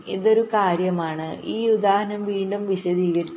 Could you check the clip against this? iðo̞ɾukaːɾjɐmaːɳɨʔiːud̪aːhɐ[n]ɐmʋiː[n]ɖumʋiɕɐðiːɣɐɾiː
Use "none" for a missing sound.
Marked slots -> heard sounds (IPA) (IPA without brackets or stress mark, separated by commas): n, ɳ